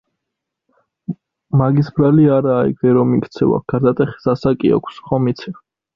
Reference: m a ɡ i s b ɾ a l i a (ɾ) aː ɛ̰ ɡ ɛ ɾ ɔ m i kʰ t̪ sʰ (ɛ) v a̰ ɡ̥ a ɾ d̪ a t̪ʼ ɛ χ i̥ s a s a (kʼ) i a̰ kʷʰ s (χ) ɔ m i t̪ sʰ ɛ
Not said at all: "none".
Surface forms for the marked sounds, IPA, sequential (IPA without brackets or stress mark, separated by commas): ɾ, ɛ, kʼ, χ